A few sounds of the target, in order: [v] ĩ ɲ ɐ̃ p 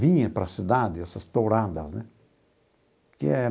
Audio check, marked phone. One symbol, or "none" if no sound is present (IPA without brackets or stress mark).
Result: v